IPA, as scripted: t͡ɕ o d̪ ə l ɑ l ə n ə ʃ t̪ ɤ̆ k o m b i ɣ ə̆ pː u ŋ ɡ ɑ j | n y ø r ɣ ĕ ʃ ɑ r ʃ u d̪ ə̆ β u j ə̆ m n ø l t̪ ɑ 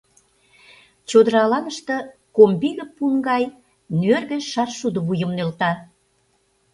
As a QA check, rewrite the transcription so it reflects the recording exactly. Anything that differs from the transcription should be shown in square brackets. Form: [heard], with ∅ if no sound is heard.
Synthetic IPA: t͡ɕ o d̪ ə [ɾ] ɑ l [ɑ] n ə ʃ t̪ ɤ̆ k o m b i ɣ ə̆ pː u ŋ ɡ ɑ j | n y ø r ɣ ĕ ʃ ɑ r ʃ u d̪ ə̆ β u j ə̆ m n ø l t̪ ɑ